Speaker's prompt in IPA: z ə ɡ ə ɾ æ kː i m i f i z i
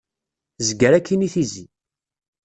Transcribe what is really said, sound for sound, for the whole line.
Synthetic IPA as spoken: z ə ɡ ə ɾ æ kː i n i θ i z i